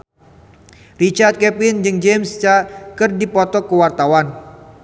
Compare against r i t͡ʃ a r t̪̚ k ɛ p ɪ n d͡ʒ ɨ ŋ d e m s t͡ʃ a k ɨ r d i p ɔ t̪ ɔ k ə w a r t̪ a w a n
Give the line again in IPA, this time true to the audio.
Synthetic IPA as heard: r i t͡ʃ a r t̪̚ k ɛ p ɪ n d͡ʒ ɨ ŋ d͡ʒ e m s t͡ʃ a k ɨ r d i p ɔ t̪ ɔ k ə w a r t̪ a w a n